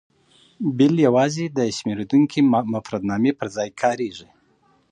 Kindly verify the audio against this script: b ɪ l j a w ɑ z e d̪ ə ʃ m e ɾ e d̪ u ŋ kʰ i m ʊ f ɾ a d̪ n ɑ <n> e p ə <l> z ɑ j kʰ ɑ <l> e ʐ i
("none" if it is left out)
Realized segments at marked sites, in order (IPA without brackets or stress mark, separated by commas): m, ɾ, ɾ